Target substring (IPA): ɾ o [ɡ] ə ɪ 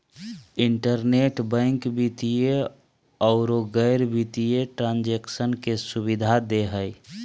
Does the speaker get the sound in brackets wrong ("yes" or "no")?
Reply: no